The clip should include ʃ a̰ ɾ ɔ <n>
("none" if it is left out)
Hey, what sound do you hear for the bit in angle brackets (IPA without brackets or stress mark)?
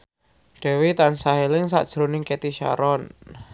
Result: n